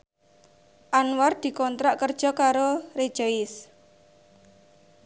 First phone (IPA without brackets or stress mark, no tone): ʔ